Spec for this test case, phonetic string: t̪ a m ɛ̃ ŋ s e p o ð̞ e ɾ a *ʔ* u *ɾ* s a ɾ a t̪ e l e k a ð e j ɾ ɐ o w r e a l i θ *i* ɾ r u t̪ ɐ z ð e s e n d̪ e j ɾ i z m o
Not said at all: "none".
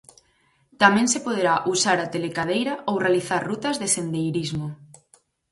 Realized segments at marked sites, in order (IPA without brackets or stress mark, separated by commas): ʔ, none, a